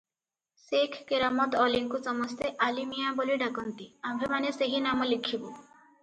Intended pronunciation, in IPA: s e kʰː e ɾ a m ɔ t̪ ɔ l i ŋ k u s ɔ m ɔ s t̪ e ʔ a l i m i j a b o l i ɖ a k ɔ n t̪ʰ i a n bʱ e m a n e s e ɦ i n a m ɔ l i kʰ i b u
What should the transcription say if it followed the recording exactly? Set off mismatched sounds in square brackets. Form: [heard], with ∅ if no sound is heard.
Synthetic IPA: s e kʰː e ɾ a m ɔ t̪ ɔ l i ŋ k u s ɔ m ɔ s t̪ e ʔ a l i m i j a b o l i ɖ a k ɔ n [t̪] i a [m] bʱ e m a n e s e ɦ i n a m ɔ l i kʰ i b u